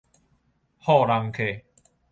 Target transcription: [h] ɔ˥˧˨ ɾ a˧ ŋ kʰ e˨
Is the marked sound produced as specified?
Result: yes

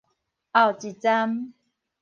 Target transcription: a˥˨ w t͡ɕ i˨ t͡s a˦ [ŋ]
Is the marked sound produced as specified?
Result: no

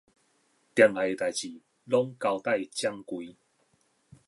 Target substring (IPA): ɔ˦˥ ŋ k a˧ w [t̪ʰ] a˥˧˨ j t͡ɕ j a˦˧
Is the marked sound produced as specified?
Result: no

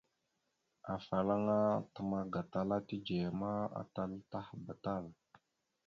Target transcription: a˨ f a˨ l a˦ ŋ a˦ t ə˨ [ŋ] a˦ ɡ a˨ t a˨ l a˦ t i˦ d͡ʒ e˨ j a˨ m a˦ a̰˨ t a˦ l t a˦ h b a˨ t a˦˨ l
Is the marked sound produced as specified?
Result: no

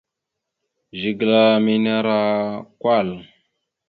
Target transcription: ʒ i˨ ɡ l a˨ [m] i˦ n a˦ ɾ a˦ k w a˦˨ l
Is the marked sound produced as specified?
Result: yes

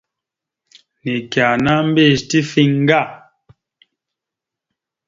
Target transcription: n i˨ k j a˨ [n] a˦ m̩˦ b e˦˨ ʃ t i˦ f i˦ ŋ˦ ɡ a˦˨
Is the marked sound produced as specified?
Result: yes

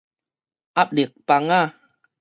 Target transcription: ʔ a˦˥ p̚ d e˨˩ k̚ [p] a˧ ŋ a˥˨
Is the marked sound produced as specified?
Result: yes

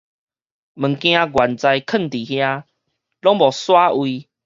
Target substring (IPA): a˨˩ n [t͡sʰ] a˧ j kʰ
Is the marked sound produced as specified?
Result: no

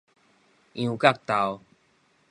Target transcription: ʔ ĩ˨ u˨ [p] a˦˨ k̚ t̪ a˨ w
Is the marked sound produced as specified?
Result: no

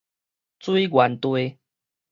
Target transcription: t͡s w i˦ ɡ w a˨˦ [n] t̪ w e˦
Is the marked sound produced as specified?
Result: yes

